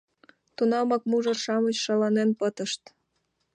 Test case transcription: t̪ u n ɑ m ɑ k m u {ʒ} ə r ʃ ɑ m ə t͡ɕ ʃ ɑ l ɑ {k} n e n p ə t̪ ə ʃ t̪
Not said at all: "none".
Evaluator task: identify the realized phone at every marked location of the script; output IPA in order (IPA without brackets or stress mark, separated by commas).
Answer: ʒ, none